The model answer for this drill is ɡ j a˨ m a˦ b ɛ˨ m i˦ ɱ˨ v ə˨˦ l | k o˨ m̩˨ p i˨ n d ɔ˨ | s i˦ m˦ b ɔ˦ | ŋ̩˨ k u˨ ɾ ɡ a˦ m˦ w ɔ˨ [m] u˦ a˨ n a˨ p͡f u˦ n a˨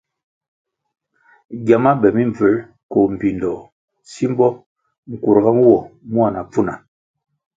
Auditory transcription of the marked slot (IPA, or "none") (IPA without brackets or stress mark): m